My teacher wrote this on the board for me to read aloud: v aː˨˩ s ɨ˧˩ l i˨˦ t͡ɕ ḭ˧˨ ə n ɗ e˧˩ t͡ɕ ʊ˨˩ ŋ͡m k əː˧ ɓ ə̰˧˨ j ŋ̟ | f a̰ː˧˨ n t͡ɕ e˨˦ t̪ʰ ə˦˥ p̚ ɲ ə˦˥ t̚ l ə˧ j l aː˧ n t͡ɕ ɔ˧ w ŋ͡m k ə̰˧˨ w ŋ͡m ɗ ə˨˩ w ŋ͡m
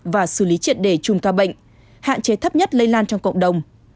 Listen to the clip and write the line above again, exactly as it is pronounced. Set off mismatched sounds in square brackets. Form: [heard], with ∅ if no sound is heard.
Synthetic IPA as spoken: v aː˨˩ s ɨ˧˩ l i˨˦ t͡ɕ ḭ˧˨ ə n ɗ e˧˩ t͡ɕ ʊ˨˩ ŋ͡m k [aː˧] ɓ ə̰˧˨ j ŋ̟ | [h] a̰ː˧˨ n t͡ɕ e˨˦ t̪ʰ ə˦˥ p̚ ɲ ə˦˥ t̚ l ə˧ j l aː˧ n t͡ɕ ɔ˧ w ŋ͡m k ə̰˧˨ w ŋ͡m ɗ ə˨˩ w ŋ͡m

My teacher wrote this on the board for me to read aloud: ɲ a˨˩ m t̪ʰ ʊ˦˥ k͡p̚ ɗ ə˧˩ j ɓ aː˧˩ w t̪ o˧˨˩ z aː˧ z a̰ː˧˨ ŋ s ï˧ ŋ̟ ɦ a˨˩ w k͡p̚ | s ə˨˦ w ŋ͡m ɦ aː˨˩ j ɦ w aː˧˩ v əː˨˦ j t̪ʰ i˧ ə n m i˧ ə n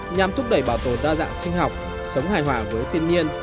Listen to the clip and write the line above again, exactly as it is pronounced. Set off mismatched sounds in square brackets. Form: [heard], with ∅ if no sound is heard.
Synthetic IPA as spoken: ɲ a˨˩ m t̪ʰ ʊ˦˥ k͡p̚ ɗ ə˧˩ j ɓ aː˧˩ w t̪ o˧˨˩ z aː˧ z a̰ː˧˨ ŋ s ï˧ ŋ̟ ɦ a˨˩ w k͡p̚ | s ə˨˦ w ŋ͡m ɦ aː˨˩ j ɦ w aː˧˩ v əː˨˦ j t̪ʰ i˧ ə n [ɲ] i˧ ə n

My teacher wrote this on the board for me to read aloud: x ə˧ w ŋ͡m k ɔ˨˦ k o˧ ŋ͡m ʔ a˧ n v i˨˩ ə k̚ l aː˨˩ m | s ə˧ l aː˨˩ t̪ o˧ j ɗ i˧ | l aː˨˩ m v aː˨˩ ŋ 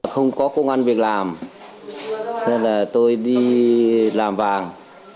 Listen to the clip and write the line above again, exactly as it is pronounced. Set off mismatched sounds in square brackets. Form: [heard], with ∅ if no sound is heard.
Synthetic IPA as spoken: x ə˧ w ŋ͡m k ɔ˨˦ k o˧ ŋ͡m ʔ a˧ n v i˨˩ ə k̚ l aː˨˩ m | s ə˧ l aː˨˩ t̪ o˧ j ɗ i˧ | l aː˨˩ m v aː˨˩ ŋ

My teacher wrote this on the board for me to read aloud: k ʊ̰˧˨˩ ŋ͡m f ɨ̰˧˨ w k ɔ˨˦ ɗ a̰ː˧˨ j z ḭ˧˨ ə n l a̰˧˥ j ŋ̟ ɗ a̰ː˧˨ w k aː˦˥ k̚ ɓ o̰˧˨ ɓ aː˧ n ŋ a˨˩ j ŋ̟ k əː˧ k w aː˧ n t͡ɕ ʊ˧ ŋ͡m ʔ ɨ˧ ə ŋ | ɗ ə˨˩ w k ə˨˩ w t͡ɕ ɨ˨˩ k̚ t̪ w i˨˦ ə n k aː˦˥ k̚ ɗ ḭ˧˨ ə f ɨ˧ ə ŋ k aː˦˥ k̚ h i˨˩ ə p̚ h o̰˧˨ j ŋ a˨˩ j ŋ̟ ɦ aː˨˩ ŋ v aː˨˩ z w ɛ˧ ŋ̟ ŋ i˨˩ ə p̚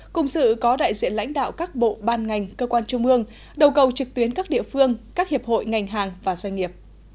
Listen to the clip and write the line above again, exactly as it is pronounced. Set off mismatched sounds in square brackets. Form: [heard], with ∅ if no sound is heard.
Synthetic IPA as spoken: k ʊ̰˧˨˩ ŋ͡m [s] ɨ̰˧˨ [∅] k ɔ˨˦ ɗ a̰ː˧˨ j z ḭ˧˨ ə n l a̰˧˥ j ŋ̟ ɗ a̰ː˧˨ w k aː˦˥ k̚ ɓ o̰˧˨ ɓ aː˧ n ŋ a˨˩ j ŋ̟ k əː˧ k w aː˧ n t͡ɕ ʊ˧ ŋ͡m ʔ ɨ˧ ə ŋ | ɗ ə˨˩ w k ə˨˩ w t͡ɕ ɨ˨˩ k̚ t̪ w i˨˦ ə n k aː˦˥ k̚ ɗ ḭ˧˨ ə f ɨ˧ ə ŋ k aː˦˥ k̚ h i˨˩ ə p̚ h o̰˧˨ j ŋ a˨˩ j ŋ̟ ɦ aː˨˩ ŋ v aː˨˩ z w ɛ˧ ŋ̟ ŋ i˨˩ ə p̚

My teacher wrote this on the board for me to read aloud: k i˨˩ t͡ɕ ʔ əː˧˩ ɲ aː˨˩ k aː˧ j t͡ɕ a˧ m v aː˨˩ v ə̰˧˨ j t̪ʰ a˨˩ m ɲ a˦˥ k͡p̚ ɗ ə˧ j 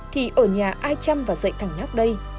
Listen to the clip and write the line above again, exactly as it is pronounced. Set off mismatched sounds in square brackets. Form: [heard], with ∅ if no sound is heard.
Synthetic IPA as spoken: k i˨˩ [∅] ʔ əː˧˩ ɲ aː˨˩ [ʔ] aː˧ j t͡ɕ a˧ m v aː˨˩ [z] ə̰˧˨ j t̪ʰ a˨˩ [ŋ] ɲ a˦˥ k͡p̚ ɗ ə˧ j

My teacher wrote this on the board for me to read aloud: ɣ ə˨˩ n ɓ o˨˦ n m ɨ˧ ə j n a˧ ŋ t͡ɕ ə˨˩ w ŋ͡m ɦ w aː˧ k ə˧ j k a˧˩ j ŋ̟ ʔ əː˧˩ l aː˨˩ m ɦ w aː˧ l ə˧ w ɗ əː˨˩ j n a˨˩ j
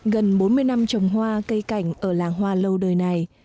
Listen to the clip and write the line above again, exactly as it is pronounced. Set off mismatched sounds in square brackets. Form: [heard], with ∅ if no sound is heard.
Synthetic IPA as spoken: ɣ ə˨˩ n ɓ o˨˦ n m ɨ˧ ə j n a˧ [m] t͡ɕ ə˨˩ w ŋ͡m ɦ w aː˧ k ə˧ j k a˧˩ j ŋ̟ ʔ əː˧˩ l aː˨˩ [ŋ] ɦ w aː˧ l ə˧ w ɗ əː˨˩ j n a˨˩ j

